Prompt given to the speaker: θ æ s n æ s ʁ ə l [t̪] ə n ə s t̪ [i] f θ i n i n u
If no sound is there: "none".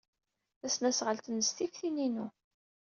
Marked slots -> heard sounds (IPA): t̪, i

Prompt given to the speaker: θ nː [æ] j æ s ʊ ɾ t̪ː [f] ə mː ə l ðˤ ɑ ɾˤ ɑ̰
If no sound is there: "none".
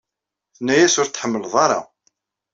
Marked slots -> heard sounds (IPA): æ, ħ

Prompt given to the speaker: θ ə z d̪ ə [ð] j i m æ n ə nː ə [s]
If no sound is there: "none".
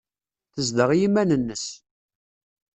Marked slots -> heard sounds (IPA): ʁ, s

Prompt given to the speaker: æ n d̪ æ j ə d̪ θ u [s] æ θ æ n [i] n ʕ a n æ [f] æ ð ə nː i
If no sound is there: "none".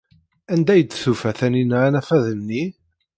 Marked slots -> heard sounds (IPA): f, i, f

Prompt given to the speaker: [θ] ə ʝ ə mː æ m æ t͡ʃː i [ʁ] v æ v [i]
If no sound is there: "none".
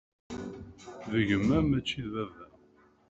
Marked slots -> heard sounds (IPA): ð, ð, æ

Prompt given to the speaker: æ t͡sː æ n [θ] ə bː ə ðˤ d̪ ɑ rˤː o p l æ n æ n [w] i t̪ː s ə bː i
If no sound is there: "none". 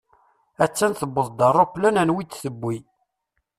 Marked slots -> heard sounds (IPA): θ, w

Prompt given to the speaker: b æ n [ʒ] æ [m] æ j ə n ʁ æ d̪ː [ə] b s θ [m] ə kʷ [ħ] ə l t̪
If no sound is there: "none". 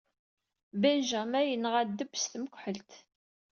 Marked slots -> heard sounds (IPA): ʒ, m, ə, m, ħ

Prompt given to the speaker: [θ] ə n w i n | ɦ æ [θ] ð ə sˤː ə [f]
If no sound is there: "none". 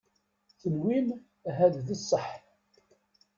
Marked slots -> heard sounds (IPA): θ, ð, ħ

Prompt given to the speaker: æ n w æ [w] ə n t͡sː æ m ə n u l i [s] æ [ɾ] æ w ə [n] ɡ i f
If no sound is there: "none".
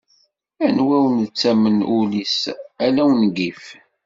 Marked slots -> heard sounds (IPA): w, s, l, n

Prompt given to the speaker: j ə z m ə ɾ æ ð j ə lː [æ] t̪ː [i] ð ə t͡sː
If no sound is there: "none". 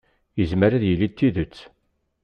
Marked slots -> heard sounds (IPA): i, i

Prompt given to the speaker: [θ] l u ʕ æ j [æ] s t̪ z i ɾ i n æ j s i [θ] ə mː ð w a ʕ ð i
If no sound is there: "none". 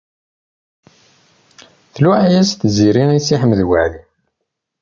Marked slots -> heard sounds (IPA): θ, æ, ħ

